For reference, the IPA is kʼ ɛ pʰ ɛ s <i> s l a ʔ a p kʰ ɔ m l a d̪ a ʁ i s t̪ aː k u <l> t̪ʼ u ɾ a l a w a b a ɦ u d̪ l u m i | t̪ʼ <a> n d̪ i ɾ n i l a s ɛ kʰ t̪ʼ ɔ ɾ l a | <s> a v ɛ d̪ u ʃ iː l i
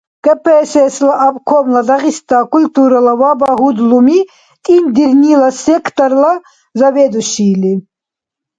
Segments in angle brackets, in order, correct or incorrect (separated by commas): incorrect, correct, incorrect, incorrect